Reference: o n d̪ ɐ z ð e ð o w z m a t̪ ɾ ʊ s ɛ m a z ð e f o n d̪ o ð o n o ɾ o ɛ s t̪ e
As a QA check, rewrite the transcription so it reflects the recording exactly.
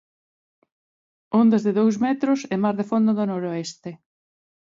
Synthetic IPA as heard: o n d̪ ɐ z ð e ð o w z m ɛ t̪ ɾ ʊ s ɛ m a z ð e f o n d̪ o ð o n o ɾ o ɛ s t̪ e